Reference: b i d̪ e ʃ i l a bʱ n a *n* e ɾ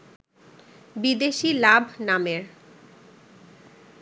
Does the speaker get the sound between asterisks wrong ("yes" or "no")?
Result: yes